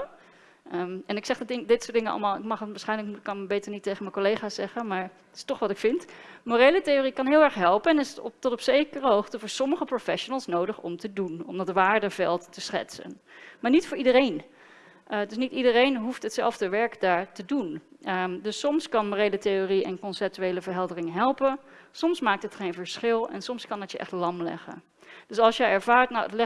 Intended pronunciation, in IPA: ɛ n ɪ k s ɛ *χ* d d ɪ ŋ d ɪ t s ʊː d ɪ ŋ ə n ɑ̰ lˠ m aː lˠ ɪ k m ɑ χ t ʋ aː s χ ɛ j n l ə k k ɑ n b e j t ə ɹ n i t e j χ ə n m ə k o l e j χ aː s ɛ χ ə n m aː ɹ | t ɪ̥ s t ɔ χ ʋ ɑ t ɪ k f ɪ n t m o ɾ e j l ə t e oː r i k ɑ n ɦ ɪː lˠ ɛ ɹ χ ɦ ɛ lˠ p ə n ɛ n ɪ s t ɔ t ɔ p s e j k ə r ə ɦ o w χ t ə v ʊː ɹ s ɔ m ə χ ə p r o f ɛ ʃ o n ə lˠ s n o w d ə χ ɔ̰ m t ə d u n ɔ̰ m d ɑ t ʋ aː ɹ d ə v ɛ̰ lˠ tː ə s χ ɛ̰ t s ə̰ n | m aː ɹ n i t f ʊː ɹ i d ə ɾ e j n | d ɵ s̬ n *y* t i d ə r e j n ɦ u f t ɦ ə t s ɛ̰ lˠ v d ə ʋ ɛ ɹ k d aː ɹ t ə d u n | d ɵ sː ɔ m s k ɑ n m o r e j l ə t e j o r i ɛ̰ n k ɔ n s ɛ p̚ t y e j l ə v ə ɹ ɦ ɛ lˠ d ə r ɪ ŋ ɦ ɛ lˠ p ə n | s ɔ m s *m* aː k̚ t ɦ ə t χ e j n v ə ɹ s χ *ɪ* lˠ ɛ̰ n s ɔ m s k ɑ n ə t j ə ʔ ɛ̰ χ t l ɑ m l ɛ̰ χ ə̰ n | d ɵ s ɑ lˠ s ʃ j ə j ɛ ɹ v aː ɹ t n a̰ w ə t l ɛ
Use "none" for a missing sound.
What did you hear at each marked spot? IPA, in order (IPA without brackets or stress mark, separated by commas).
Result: χ, i, m, ɪ